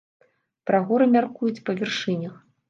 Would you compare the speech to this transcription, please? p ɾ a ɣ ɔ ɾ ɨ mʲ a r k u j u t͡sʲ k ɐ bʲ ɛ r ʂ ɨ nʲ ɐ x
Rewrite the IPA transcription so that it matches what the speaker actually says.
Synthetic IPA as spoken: p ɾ a ɣ ɔ ɾ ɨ mʲ a r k u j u t͡sʲ p ɐ vʲ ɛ r ʂ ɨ nʲ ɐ x

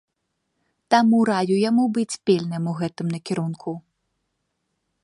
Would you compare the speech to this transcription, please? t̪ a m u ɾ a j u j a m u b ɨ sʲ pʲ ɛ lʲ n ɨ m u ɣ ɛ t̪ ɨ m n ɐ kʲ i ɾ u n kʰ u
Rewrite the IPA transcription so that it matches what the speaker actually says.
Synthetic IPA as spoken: t̪ a m u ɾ a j u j a m u b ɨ t͡sʲ pʲ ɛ lʲ n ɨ m u ɣ ɛ t̪ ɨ m n ɐ kʲ i ɾ u n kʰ u

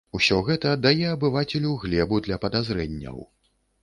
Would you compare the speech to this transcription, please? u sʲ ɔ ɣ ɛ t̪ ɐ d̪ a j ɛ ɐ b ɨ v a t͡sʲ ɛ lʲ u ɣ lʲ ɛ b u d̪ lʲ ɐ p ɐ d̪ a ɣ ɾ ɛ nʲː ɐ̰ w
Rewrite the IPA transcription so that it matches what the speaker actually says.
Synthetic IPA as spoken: u sʲ ɔ ɣ ɛ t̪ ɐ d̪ a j ɛ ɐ b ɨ v a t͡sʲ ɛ lʲ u ɣ lʲ ɛ b u d̪ lʲ ɐ p ɐ d̪ a z ɾ ɛ nʲː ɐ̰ w

